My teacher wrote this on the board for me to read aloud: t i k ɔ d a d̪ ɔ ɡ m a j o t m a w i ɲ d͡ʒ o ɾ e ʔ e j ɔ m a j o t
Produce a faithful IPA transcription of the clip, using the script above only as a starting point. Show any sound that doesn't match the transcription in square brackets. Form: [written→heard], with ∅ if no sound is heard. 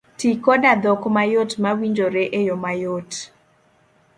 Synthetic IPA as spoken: t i k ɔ d a d̪ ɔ [ɡ→k] m a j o t m a w i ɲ d͡ʒ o ɾ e ʔ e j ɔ m a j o t